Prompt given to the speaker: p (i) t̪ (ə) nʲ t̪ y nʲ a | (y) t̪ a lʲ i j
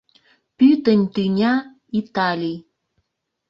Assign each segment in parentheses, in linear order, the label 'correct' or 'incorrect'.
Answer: incorrect, correct, incorrect

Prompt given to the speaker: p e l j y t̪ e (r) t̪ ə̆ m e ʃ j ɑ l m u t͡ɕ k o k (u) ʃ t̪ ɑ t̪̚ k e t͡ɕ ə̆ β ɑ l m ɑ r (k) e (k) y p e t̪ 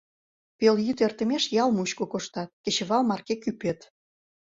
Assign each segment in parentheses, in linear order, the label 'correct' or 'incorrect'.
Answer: correct, incorrect, correct, correct

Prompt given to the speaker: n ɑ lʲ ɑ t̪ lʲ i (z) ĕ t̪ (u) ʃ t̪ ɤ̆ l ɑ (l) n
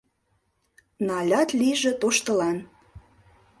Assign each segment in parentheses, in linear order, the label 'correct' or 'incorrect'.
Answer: incorrect, incorrect, incorrect

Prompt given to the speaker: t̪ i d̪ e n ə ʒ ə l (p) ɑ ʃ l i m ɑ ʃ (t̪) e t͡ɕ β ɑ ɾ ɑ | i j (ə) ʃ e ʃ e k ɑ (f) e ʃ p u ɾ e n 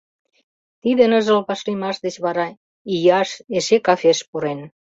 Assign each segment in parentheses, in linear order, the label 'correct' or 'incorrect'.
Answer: correct, incorrect, incorrect, correct

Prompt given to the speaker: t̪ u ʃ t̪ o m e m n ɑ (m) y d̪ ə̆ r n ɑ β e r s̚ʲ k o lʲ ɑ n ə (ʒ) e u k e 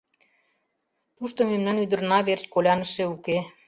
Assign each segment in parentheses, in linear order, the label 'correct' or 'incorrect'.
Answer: incorrect, incorrect

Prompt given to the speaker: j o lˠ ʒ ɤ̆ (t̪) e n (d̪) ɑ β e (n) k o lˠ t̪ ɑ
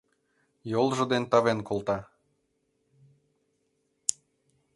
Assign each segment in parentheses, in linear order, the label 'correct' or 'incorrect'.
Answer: incorrect, incorrect, correct

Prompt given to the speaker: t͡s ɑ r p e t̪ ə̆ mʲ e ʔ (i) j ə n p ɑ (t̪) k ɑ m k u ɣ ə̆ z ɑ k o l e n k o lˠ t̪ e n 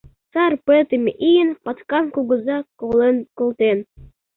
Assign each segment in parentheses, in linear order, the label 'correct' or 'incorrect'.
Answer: correct, correct

